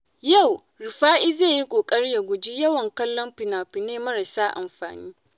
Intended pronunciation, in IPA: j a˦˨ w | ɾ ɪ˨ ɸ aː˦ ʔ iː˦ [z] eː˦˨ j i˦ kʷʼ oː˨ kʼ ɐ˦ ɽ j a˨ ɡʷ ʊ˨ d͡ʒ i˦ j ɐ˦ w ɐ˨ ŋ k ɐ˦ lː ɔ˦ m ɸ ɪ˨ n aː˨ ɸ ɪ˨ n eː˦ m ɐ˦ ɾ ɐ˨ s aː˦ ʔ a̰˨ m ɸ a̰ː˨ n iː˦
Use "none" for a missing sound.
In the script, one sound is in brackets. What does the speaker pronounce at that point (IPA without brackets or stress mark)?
z